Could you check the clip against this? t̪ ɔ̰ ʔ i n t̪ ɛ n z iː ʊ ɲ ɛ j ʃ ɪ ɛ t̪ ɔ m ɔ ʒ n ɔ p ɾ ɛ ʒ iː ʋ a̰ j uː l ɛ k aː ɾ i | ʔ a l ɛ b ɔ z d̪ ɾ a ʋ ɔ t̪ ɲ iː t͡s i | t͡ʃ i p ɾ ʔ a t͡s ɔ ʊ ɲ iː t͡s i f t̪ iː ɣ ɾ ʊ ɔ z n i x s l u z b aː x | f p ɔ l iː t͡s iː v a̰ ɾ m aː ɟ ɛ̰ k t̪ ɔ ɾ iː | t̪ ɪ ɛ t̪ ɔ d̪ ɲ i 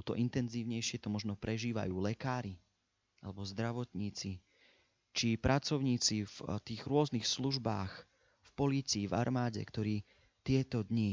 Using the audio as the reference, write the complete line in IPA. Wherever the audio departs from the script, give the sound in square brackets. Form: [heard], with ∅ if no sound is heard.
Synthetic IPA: t̪ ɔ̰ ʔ i n t̪ ɛ n z iː ʊ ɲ ɛ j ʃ ɪ ɛ t̪ ɔ m ɔ ʒ n ɔ p ɾ ɛ ʒ iː ʋ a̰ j uː l ɛ k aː ɾ i | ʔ a l ɛ b ɔ z d̪ ɾ a ʋ ɔ t̪ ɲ iː t͡s i | t͡ʃ i p ɾ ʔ a t͡s ɔ ʊ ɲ iː t͡s i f t̪ iː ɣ ɾ ʊ ɔ z n i x s l u [ʒ] b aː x | f p ɔ l iː t͡s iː v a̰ ɾ m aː ɟ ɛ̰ k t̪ ɔ ɾ iː | t̪ ɪ ɛ t̪ ɔ d̪ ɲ i